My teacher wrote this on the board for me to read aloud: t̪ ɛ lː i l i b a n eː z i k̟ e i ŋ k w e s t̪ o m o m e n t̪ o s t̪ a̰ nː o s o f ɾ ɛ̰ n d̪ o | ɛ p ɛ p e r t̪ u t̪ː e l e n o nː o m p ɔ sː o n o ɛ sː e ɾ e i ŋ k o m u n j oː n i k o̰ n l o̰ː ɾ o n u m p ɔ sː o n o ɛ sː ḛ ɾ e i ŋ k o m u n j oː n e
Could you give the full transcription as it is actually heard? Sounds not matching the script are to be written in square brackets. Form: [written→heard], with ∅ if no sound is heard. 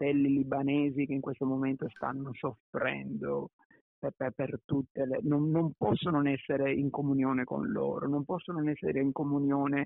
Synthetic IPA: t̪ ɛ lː i l i b a n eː z i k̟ e i ŋ k w e s t̪ o m o m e n t̪ o s t̪ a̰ nː o s o f ɾ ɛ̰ n d̪ o | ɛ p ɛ p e r t̪ u t̪ː e l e n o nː o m p ɔ sː o n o ɛ sː e ɾ e i ŋ k o m u n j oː n [i→e] k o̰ n l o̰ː ɾ o n [u→o] m p ɔ sː o n o ɛ sː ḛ ɾ e i ŋ k o m u n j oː n e